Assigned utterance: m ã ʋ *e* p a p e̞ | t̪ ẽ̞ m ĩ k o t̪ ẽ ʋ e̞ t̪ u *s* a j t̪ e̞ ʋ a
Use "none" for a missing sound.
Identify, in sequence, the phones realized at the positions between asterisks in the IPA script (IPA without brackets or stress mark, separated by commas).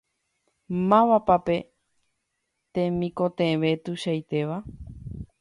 a, ʃ